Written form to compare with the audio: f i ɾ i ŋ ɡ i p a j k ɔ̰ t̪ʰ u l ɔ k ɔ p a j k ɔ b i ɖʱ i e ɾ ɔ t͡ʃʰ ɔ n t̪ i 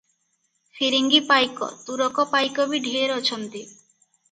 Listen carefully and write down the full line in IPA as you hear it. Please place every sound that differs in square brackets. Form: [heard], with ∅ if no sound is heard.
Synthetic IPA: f i ɾ i ŋ ɡ i p a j k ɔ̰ [t̪] u [ɾ] ɔ k ɔ p a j k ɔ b i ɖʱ i e ɾ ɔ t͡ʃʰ ɔ n t̪ i

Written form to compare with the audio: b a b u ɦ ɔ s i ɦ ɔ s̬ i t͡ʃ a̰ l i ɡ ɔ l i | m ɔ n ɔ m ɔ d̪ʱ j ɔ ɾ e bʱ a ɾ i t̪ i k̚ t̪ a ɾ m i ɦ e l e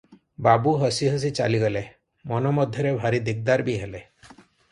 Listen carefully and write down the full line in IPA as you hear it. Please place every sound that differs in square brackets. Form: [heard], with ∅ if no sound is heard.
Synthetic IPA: b a b u ɦ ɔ s i ɦ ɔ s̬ i t͡ʃ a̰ l i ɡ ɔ l [e] | m ɔ n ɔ m ɔ d̪ʱ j ɔ ɾ e bʱ a ɾ i [d̪] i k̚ [d̪] a ɾ [b] i ɦ e l e

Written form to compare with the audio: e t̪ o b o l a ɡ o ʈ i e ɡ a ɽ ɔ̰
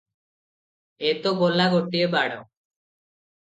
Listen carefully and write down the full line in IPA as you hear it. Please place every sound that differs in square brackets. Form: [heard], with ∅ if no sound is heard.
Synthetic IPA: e t̪ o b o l a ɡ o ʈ i e [b] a ɽ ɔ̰

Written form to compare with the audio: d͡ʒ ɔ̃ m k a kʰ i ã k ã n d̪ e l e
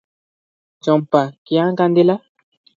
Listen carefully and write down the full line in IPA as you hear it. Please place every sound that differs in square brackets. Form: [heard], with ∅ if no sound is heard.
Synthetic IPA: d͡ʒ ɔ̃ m [p] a [k] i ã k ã n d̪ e l [a]

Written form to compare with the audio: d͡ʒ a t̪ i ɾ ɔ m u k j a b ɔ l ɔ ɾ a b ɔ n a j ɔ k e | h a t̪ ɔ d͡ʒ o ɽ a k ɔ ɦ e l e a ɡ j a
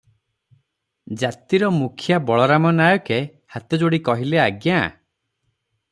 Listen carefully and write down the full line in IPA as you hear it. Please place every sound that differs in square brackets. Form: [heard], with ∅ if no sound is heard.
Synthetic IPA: d͡ʒ a t̪ i ɾ ɔ m u [kʰ] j a b ɔ [ɭ] ɔ ɾ a [m] ɔ n a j ɔ k e | h a t̪ ɔ d͡ʒ o ɽ [i] k ɔ ɦ [i] l e a ɡ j a

